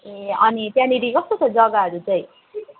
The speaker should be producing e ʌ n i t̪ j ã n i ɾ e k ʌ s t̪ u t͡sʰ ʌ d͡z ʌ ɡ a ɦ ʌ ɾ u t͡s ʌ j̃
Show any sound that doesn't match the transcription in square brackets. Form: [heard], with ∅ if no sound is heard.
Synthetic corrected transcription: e ʌ n i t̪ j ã n i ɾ [i] k ʌ s t̪ [o] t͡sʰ ʌ d͡z ʌ ɡ a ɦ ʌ ɾ u t͡s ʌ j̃